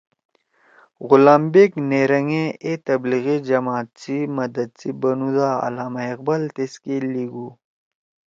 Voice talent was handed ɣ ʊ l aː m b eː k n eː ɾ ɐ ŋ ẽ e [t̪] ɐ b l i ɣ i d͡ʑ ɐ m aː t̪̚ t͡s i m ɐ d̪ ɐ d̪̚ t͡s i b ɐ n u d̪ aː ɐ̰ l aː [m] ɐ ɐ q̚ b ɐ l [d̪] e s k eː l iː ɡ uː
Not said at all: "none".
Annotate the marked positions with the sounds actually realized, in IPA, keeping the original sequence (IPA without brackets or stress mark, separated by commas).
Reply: t̪, m, t̪